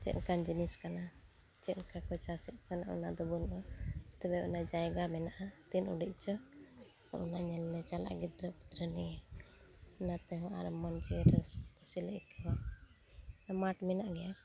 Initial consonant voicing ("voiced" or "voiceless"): voiceless